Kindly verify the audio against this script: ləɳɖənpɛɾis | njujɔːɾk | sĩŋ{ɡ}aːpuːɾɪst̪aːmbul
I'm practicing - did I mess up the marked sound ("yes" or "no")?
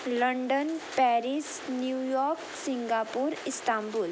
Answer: no